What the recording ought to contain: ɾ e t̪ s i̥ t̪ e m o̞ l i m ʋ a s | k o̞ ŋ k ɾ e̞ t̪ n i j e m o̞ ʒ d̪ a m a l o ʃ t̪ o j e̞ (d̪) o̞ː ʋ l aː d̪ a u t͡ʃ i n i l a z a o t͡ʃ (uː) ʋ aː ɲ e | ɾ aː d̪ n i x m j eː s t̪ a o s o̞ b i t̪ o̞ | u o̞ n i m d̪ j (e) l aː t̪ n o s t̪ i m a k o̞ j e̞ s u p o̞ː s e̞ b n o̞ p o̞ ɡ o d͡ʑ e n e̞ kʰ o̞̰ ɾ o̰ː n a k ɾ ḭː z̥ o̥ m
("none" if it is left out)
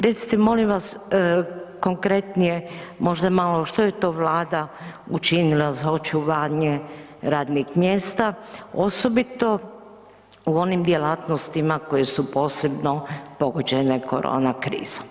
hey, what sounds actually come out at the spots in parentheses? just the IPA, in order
t̪, u, e

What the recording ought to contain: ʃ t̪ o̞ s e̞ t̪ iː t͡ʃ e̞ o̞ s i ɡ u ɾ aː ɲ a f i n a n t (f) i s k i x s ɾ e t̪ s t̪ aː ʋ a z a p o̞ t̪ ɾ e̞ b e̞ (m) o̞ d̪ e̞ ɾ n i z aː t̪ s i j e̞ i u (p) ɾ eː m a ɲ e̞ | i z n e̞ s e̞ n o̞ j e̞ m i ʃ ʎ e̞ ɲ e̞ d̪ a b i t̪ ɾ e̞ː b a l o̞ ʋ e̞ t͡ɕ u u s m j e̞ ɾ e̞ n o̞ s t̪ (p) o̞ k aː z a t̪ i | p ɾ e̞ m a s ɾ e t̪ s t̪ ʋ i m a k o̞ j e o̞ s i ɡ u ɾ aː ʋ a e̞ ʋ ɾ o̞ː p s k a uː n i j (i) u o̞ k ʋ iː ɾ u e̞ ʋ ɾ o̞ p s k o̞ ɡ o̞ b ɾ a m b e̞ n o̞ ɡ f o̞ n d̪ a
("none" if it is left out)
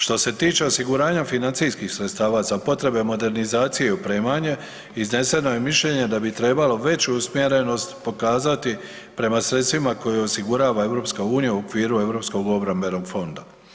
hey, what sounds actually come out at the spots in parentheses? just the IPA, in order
s, m, p, p, a

